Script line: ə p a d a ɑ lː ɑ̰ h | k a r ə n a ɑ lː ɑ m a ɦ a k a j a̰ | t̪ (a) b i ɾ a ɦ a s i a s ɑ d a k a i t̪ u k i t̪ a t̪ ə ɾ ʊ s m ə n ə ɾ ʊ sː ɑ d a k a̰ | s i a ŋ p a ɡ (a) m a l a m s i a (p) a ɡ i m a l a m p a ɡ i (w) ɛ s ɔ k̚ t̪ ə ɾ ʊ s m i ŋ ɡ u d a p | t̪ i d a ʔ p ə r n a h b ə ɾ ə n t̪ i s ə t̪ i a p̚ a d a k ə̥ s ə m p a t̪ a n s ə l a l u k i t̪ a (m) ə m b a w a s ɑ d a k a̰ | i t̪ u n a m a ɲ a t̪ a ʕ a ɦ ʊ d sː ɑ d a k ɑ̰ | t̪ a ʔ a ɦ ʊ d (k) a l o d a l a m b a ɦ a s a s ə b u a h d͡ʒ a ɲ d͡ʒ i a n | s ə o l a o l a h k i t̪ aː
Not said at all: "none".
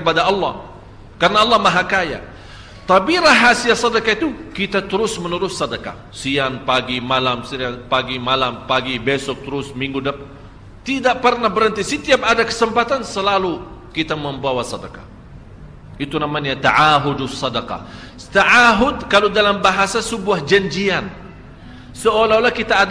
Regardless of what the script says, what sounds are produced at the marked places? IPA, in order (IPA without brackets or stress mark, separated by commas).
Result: a, i, p, b, m, k